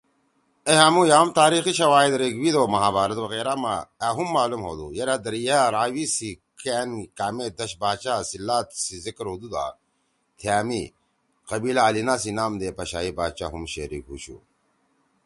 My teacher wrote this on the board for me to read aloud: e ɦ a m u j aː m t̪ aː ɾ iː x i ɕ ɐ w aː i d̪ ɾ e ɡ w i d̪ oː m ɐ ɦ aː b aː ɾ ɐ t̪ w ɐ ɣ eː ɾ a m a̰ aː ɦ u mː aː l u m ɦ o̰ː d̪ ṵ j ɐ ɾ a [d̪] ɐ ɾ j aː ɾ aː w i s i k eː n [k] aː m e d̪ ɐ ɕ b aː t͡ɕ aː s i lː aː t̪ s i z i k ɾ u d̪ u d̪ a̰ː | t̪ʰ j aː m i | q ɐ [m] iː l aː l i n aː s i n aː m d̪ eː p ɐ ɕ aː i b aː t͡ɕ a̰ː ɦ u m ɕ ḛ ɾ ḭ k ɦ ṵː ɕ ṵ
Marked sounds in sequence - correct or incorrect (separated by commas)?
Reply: correct, correct, incorrect